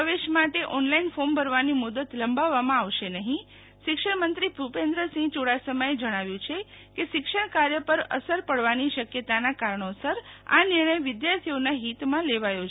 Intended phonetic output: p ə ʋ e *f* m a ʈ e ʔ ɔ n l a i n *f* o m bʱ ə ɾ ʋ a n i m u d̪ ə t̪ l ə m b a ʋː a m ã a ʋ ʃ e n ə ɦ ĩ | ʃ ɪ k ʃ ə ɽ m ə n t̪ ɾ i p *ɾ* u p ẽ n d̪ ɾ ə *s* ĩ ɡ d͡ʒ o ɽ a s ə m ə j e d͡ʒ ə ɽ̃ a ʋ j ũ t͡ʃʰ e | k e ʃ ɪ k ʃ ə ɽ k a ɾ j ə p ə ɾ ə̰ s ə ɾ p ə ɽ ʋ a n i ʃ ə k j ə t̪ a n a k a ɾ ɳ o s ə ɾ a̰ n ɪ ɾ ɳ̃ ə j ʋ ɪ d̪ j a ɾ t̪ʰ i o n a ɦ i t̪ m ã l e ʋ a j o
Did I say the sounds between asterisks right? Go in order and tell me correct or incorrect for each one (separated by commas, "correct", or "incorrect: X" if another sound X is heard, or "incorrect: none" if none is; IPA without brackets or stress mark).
incorrect: ʃ, correct, correct, correct